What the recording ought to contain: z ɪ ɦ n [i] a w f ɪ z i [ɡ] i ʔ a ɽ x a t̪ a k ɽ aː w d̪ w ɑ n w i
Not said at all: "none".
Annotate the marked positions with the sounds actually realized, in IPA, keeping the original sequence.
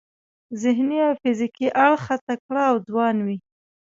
i, k

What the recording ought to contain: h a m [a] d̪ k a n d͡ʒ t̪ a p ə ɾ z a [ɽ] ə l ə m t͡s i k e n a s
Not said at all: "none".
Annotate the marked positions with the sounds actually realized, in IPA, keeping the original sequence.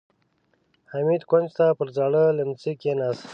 i, ɽ

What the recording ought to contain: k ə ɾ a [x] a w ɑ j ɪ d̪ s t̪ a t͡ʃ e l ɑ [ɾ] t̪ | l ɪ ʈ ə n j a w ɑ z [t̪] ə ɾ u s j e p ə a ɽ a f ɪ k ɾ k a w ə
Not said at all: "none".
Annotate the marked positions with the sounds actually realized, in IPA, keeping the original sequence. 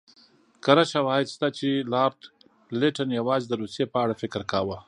ʃ, ɾ, d̪

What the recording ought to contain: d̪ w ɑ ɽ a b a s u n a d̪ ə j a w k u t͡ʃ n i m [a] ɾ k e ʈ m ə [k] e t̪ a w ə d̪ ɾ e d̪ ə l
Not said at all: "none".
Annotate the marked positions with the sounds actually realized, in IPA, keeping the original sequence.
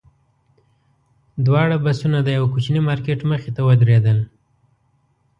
ɑ, x

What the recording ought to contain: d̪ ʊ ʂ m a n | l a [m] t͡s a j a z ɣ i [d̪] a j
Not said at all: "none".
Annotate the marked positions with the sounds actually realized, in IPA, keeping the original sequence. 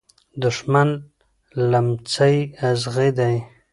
m, d̪

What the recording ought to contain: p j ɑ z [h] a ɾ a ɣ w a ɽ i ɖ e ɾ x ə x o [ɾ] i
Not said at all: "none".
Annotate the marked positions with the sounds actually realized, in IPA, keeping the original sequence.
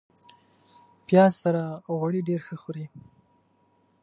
s, ɾ

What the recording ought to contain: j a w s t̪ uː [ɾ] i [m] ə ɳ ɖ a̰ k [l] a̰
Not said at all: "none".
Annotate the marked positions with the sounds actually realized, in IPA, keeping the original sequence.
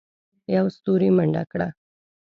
ɾ, m, ɽ

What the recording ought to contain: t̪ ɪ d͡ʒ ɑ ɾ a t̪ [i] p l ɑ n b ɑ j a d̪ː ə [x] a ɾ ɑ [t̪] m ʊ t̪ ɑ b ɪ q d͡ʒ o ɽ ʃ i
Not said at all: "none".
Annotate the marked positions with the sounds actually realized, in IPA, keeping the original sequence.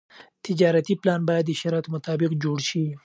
i, ʃ, t̪

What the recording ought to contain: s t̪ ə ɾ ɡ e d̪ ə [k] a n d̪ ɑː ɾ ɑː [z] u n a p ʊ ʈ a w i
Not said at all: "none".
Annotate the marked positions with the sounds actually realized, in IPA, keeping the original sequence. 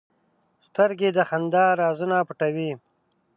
x, z

